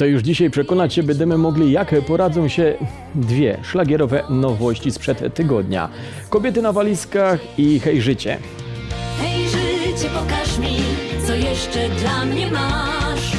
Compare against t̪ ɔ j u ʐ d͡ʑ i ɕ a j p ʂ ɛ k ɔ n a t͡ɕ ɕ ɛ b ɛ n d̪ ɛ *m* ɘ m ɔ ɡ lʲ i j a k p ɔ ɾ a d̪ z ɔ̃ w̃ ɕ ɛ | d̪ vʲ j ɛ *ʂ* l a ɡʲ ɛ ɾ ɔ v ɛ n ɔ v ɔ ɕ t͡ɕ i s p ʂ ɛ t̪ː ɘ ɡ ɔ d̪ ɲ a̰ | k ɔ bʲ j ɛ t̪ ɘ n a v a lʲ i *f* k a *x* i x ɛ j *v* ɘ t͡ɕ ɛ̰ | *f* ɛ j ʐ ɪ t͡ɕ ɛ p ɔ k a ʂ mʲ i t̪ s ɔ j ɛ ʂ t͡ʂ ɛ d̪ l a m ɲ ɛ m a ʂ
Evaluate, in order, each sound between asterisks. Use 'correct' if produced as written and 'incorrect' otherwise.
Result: correct, correct, incorrect, correct, incorrect, incorrect

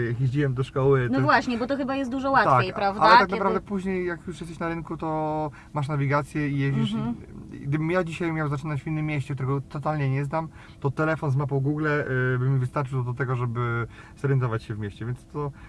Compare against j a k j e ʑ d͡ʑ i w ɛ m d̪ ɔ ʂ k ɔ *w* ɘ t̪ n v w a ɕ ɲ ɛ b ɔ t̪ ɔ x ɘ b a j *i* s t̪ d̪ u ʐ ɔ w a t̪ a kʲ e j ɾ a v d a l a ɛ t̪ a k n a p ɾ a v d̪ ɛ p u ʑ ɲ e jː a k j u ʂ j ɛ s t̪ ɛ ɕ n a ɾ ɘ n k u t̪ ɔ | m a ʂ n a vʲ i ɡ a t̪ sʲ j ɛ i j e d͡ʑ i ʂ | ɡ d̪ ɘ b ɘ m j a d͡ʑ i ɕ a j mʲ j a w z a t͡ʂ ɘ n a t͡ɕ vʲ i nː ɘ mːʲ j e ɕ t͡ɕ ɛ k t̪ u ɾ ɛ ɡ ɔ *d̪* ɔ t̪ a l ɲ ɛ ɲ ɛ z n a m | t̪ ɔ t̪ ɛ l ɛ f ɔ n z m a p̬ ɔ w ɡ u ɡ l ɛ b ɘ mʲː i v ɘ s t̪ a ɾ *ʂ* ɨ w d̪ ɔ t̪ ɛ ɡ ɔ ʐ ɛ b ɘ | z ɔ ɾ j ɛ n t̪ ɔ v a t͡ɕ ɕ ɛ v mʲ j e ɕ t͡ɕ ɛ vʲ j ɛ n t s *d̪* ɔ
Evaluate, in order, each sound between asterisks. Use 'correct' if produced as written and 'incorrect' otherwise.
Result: correct, incorrect, incorrect, incorrect, incorrect

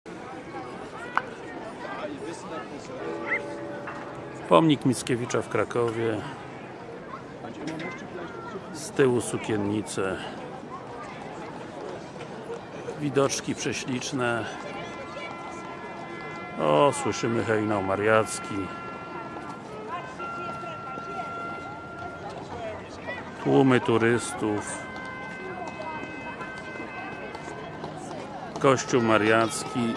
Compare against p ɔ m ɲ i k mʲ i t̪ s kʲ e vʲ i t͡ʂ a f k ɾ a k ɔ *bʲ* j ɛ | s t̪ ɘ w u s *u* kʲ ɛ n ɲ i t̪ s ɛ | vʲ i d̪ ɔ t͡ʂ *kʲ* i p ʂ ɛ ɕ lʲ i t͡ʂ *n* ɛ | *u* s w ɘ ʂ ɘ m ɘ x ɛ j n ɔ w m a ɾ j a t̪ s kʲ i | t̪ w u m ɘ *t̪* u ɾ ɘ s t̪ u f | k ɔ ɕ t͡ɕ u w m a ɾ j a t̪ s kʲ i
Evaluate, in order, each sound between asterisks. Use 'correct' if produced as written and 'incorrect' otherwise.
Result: incorrect, correct, correct, correct, incorrect, correct

